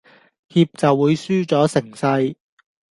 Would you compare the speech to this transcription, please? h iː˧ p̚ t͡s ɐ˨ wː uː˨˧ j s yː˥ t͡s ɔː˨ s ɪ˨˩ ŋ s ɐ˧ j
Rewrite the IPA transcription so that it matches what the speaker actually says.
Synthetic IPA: h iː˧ p̚ t͡s ɐ˨ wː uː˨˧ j s yː˥ t͡s ɔː˨˥ s ɪ˨˩ ŋ s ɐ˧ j